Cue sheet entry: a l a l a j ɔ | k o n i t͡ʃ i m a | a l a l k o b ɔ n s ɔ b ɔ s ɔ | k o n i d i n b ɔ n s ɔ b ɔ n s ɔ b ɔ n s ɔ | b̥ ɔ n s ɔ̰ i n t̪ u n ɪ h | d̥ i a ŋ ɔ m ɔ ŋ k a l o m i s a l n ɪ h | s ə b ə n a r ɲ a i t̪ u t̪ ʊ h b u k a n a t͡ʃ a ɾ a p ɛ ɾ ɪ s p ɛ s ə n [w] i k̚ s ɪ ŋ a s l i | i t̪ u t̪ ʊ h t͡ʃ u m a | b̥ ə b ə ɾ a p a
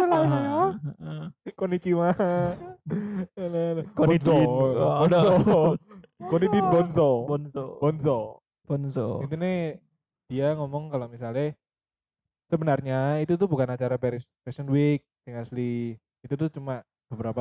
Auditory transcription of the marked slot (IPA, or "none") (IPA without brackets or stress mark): w